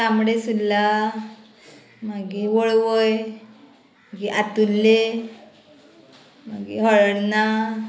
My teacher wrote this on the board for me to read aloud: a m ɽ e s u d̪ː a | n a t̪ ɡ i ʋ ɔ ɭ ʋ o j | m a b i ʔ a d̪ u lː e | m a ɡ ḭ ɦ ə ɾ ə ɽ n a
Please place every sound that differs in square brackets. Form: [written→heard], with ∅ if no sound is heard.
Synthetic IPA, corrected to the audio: a m ɽ e s u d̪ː a | [n→m] a [t̪→∅] ɡ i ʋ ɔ ɭ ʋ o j | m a [b→ɡ] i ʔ a [d̪→t̪] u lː e | m a ɡ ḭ ɦ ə [ɾ→ɭ] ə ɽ n a

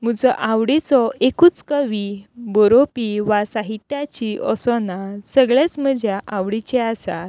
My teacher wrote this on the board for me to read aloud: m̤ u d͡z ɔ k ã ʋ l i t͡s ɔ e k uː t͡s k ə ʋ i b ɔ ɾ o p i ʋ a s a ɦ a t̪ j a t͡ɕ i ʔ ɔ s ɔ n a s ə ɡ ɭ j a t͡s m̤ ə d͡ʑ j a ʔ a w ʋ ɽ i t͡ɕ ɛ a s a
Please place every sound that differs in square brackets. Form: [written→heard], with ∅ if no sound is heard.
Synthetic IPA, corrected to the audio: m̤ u d͡z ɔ [k→ʔ] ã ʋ [l→ɽ] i t͡s ɔ e k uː t͡s k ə ʋ i b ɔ ɾ o p i ʋ a s a ɦ [a→i] t̪ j a t͡ɕ i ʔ ɔ s ɔ n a s ə ɡ ɭ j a t͡s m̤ ə d͡ʑ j a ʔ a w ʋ ɽ i t͡ɕ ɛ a s a

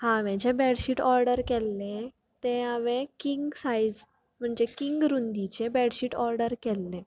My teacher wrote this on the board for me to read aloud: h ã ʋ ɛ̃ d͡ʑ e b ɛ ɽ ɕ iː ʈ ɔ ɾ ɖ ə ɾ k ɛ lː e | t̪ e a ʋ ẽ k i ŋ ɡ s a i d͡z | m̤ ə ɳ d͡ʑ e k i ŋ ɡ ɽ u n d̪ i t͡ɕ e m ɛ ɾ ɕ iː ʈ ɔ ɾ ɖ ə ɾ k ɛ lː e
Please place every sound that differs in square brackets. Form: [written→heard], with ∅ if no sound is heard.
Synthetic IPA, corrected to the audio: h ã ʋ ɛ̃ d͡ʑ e b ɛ ɽ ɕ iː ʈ ɔ ɾ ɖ ə ɾ k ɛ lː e | t̪ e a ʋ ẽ k i ŋ ɡ s a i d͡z | m̤ ə ɳ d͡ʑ e k i ŋ ɡ [ɽ→ɾ] u n d̪ i t͡ɕ e [m→b] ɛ [ɾ→ɽ] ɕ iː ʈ ɔ ɾ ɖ ə ɾ k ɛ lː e

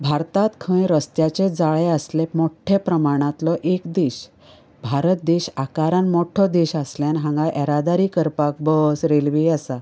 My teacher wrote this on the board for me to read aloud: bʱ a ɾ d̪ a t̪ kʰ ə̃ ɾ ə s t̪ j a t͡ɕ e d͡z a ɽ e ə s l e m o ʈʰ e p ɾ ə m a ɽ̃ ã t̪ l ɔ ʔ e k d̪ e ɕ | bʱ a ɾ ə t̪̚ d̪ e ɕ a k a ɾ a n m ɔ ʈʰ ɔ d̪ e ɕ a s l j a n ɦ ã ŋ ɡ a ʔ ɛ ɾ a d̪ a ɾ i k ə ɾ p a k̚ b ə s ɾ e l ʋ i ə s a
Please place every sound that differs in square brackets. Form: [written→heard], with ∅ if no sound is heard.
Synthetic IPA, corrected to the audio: bʱ a ɾ [d̪→t̪] a t̪ kʰ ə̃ ɾ ə s t̪ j a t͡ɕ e d͡z a [ɽ→ɭ] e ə s l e m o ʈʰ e p ɾ ə m a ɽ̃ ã t̪ l ɔ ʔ e k d̪ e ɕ | bʱ a ɾ ə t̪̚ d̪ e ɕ a k a ɾ a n m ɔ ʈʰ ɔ d̪ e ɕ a s l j a n ɦ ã ŋ ɡ a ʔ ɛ ɾ a d̪ a ɾ i k ə ɾ p a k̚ b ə s ɾ e l ʋ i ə s a

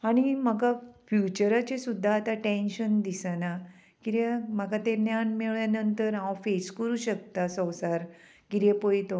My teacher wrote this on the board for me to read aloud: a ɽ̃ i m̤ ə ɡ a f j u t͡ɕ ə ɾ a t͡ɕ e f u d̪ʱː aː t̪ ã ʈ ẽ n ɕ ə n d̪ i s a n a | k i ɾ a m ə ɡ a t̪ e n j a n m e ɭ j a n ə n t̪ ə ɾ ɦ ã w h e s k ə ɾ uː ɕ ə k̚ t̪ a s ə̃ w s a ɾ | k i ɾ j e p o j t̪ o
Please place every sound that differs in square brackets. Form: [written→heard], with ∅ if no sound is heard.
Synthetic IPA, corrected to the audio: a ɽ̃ i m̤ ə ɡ a f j u t͡ɕ ə ɾ a t͡ɕ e [f→s] u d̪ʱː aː t̪ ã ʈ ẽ n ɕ ə n d̪ i s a n a | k i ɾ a m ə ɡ a t̪ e n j a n m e ɭ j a n ə n t̪ ə ɾ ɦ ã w [h→f] e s k ə ɾ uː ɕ ə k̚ t̪ a s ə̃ w s a ɾ | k i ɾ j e p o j t̪ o

